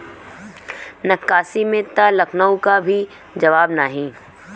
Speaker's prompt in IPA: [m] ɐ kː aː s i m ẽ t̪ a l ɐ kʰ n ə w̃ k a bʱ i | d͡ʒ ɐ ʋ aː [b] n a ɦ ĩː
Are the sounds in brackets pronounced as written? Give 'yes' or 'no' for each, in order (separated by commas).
no, yes